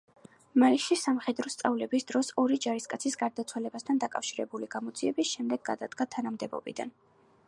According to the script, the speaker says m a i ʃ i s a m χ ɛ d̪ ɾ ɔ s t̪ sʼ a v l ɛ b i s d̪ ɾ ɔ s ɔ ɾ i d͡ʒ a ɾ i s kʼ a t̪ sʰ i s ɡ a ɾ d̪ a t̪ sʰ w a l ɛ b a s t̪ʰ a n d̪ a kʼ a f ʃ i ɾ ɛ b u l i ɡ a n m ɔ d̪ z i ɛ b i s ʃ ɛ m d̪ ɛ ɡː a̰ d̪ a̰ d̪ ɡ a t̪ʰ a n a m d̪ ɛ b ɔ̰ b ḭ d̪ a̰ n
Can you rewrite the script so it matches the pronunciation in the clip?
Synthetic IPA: m a i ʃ i s a m χ ɛ d̪ ɾ ɔ s t̪ sʼ a v l ɛ b i s d̪ ɾ ɔ s ɔ ɾ i d͡ʒ a ɾ i s kʼ a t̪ sʰ i s ɡ a ɾ d̪ a t̪ sʰ w a l ɛ b a s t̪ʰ a n d̪ a kʼ a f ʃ i ɾ ɛ b u l i ɡ a m ɔ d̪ z i ɛ b i s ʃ ɛ m d̪ ɛ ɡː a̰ d̪ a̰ d̪ ɡ a t̪ʰ a n a m d̪ ɛ b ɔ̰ b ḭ d̪ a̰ n